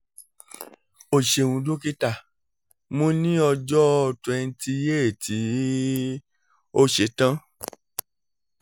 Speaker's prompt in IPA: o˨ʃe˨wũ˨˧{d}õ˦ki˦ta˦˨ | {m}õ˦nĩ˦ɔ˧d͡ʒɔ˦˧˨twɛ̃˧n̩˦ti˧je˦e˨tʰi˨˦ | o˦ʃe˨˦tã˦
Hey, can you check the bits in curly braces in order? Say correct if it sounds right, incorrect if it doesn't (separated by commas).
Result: correct, correct